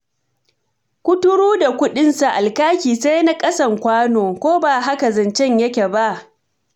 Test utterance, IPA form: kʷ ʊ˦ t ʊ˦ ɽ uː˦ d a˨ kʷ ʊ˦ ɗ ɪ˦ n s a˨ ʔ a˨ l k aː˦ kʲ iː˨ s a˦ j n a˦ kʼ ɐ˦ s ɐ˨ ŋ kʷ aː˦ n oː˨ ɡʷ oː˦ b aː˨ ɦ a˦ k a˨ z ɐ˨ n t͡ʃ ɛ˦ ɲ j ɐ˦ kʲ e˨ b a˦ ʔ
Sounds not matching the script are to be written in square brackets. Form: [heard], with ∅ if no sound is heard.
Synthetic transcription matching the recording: kʷ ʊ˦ t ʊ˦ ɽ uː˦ d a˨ kʷ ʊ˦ ɗ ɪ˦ n s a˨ ʔ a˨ l k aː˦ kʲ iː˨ s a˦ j n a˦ kʼ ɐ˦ s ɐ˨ ŋ kʷ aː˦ n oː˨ [kʷ] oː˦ b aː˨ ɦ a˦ k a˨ z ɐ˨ n t͡ʃ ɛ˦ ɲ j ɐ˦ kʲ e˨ b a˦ ʔ